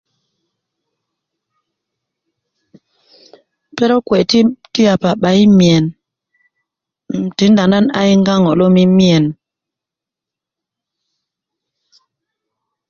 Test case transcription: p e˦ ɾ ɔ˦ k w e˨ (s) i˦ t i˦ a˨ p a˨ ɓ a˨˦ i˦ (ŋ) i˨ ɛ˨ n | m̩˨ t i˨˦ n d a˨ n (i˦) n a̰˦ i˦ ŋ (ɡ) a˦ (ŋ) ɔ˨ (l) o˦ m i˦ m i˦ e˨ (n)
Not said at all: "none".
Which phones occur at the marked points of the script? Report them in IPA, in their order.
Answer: t, m, a˦, ɡ, ŋ, l, n

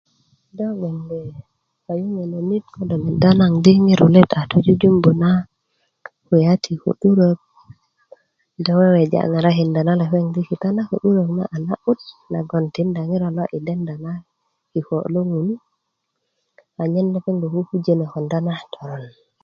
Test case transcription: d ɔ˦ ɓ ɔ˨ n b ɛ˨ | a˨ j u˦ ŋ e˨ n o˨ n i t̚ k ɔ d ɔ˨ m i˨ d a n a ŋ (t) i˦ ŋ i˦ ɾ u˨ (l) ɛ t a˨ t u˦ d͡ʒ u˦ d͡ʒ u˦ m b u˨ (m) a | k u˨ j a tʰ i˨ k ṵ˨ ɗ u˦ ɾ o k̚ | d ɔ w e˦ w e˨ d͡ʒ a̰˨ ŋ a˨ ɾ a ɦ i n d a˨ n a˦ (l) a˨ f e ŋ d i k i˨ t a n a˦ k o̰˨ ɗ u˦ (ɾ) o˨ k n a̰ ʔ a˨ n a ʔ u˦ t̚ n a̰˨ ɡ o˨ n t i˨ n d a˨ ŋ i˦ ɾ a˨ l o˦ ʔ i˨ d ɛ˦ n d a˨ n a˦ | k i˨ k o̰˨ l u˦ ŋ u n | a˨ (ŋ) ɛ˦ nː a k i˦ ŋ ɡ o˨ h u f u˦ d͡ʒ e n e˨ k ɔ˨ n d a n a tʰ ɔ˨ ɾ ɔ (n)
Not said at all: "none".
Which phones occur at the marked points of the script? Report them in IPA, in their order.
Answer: d, l, n, l, ɾ, ɲ, n

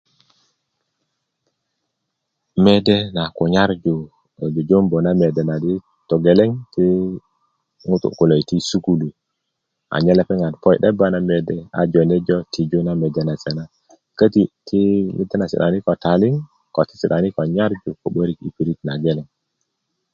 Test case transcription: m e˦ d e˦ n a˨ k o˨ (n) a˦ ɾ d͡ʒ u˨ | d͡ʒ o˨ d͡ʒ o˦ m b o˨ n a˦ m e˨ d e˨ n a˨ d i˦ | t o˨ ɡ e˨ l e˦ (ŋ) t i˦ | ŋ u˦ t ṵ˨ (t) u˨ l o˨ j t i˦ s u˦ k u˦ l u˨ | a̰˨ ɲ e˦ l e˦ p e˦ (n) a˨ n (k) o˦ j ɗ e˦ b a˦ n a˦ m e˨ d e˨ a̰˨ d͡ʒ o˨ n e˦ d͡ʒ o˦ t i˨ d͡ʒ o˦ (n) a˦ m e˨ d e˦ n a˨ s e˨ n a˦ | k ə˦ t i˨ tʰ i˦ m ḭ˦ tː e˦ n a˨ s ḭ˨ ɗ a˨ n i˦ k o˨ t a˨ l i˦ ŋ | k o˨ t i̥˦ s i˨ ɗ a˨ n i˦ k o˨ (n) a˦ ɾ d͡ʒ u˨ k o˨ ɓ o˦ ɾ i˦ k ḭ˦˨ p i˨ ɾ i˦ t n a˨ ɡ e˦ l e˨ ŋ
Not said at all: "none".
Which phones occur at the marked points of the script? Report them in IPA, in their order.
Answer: ɲ, ŋ, k, ŋ, p, n, ɲ

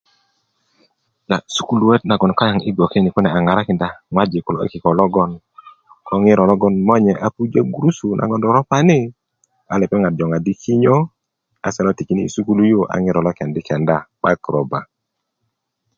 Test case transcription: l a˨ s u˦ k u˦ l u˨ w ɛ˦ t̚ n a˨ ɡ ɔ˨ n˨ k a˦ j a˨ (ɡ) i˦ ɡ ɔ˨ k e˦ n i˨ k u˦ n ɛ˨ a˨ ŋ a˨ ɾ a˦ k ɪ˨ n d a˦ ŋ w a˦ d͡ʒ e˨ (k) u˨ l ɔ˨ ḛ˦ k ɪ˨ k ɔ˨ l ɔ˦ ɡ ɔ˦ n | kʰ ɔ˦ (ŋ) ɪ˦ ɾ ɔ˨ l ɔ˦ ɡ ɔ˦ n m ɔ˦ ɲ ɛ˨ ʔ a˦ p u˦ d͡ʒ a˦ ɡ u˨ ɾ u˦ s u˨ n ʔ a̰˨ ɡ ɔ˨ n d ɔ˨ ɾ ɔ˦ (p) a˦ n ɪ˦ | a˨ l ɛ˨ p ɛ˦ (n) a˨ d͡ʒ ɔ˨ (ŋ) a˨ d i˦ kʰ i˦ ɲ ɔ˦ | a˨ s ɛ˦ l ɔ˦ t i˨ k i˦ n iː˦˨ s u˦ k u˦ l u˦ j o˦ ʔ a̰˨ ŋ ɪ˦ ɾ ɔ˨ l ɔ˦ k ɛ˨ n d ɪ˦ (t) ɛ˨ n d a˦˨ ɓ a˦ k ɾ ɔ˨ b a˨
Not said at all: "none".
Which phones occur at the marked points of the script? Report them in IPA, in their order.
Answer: ŋ, k, ŋ, p, ŋ, ŋ, k

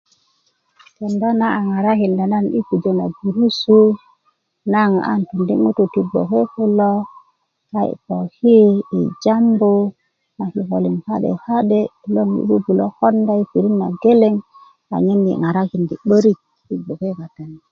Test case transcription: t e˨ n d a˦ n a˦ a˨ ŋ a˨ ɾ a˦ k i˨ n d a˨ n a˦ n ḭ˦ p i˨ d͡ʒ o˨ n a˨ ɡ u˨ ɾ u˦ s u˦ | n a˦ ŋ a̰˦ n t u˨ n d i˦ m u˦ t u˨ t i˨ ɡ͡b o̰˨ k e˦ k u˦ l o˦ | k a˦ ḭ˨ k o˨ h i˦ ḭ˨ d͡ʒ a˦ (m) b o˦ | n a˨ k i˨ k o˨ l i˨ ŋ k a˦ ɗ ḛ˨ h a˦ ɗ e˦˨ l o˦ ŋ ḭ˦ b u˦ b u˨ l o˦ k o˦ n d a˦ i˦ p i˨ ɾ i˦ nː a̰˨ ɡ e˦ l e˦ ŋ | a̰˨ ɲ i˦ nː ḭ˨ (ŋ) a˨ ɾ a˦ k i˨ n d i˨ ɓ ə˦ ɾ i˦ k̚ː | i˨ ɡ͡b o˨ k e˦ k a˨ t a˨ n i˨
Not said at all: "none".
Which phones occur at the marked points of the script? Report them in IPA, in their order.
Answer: m, ŋ

